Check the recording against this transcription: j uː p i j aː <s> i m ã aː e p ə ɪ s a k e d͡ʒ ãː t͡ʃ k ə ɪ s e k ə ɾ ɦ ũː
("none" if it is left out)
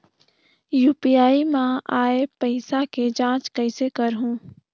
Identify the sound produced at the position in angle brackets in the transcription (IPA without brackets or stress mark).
none